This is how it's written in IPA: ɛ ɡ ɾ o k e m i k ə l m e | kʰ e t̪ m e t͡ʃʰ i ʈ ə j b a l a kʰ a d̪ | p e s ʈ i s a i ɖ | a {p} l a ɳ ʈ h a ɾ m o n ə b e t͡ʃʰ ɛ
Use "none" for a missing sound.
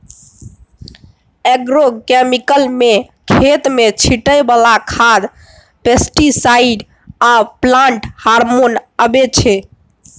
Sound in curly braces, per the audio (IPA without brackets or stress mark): p